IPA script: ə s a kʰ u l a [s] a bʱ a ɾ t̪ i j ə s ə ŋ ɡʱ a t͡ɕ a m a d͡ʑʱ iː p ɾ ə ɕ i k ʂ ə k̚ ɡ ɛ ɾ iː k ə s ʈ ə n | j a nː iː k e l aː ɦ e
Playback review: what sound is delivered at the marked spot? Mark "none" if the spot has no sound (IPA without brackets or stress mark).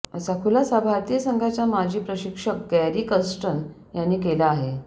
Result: s